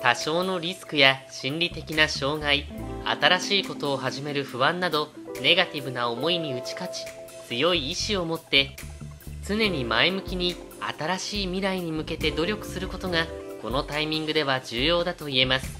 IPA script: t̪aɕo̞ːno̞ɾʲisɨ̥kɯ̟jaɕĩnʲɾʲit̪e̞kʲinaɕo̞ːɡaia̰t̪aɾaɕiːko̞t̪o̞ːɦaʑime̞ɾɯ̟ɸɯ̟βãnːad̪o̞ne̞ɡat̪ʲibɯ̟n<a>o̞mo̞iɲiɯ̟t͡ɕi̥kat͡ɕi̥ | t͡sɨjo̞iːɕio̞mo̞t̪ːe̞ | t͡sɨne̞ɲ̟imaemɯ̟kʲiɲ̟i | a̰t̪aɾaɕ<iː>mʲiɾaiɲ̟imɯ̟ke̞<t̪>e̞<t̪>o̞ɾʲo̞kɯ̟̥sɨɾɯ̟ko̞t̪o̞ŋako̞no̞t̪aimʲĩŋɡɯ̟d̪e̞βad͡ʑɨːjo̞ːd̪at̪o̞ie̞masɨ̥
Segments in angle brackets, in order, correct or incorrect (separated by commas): correct, correct, correct, incorrect